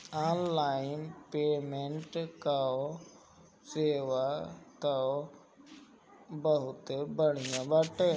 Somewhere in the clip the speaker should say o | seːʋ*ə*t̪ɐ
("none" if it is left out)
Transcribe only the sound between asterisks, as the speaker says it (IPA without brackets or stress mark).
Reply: a